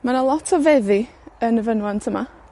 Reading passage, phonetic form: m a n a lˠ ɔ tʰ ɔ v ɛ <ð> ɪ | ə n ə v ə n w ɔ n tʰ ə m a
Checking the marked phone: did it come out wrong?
no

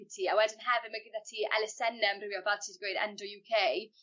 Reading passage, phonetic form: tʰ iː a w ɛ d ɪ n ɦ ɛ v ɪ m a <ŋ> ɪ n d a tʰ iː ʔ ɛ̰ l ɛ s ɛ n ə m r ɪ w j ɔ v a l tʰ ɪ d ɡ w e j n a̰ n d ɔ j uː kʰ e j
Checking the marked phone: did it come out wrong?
yes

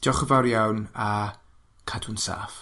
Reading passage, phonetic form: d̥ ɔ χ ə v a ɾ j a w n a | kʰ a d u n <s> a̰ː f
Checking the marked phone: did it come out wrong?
no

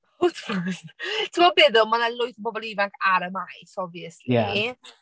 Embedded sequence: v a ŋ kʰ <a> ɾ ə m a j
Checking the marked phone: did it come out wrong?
no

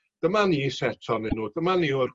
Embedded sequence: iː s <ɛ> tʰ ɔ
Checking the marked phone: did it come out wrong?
no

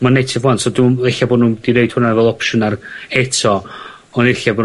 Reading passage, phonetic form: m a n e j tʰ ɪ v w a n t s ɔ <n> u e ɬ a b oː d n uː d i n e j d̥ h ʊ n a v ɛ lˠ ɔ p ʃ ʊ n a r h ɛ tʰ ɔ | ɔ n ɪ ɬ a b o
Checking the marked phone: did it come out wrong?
yes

